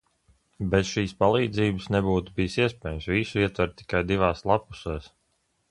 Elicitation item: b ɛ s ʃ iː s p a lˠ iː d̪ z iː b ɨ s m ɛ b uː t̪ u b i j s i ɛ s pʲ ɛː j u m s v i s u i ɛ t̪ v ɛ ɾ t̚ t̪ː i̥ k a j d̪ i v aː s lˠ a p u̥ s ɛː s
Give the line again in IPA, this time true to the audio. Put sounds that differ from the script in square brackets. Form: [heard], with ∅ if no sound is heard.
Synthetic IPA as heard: b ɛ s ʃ iː s p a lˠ iː d̪ z iː b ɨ s [n] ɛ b uː t̪ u b i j s i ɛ s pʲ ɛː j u m s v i s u i ɛ t̪ v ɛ ɾ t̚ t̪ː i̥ k a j d̪ i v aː s lˠ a p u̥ s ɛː s